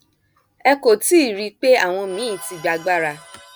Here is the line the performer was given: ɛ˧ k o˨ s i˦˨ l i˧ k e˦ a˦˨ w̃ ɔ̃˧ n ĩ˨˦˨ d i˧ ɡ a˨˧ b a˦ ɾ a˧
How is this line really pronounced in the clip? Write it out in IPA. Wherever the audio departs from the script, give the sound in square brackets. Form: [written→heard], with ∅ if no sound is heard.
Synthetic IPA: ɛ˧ k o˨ [s→t] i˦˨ [l→ɾ] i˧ [k→k͡p] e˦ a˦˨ w̃ ɔ̃˧ [n→m] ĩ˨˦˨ [d→t] i˧ [ɡ→ɡ͡b] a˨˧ [b→ɡ͡b] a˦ ɾ a˧